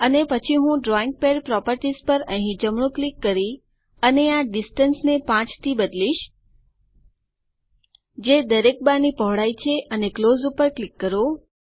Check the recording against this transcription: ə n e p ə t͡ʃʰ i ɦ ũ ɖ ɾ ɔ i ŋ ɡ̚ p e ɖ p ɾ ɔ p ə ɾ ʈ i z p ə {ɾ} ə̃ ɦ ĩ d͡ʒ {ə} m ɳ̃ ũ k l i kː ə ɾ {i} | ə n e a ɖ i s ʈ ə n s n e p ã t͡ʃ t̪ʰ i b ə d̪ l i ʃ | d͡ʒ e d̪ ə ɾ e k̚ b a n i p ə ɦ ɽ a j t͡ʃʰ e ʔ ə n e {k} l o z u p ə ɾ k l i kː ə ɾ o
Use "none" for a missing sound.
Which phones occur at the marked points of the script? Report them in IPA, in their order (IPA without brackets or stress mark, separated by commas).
ɾ, ə, i, k